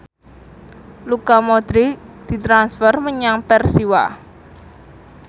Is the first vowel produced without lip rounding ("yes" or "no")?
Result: no